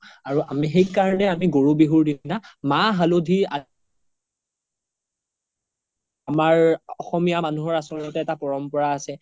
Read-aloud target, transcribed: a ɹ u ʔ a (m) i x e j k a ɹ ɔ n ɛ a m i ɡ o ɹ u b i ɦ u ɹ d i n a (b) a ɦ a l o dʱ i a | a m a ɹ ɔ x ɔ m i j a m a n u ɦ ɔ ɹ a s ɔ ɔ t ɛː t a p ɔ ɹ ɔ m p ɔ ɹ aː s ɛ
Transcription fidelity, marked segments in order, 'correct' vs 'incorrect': correct, incorrect: m

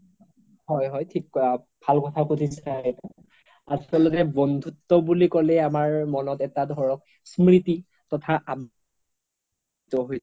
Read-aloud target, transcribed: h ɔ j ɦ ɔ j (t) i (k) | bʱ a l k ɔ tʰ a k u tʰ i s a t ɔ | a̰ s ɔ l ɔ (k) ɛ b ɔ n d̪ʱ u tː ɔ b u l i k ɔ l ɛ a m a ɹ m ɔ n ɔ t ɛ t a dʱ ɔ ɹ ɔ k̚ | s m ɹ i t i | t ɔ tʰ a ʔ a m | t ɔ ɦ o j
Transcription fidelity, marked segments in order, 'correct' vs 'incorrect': incorrect: tʰ, correct, incorrect: t

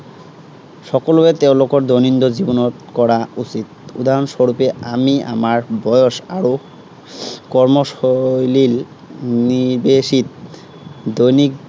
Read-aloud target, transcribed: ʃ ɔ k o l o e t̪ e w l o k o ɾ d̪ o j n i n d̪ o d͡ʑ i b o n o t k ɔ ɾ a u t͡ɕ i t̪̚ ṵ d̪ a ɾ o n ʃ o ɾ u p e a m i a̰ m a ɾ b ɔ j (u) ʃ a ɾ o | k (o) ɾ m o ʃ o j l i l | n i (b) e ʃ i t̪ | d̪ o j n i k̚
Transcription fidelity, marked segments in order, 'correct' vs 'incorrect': incorrect: o, incorrect: ɔ, correct

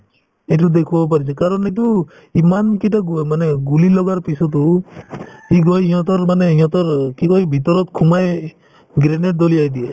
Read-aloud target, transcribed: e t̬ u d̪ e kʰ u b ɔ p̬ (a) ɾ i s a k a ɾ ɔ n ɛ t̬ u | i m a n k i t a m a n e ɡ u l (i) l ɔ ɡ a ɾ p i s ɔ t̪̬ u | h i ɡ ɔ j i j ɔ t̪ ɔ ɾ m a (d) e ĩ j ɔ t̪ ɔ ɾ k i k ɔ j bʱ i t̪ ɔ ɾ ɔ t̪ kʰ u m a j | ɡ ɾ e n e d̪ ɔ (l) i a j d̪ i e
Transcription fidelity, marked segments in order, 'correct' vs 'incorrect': correct, correct, incorrect: n, correct

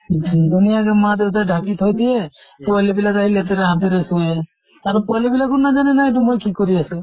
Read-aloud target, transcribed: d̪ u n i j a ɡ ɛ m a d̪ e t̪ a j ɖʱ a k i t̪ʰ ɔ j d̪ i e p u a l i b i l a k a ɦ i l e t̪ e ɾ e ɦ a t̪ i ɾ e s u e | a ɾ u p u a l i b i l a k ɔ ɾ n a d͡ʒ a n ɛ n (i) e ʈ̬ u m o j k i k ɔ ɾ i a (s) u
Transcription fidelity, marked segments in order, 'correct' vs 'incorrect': incorrect: a, correct

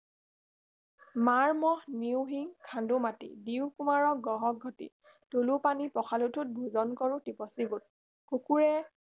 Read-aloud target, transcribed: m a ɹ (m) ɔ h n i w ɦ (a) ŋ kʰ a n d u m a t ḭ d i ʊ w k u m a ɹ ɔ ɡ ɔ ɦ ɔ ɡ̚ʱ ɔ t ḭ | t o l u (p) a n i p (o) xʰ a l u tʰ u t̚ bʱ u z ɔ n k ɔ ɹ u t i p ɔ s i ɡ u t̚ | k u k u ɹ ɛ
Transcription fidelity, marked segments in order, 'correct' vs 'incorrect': correct, incorrect: i, correct, incorrect: ɔ

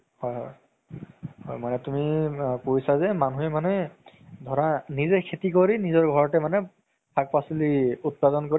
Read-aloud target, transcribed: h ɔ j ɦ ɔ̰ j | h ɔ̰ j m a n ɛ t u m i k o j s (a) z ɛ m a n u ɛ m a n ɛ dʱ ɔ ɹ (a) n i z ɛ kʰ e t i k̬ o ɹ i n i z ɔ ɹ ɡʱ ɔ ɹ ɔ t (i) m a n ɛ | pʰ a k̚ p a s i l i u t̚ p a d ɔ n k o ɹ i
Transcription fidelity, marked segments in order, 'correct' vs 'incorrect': correct, correct, incorrect: ɛ

